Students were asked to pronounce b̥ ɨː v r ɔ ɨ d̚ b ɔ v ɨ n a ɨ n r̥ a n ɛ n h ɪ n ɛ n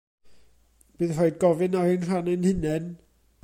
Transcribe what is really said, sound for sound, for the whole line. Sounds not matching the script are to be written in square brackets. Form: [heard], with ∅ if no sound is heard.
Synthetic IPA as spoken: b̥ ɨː [ð] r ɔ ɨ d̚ [ɡ] ɔ v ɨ n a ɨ n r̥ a n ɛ n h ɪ n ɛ n